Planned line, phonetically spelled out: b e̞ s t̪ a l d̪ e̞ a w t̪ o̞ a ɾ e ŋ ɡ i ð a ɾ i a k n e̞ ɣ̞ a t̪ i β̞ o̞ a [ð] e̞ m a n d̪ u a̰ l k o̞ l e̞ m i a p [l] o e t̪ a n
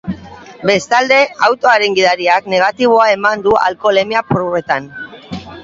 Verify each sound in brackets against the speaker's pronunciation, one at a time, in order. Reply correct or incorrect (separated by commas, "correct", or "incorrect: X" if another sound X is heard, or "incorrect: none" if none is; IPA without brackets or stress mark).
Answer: incorrect: none, incorrect: ɾ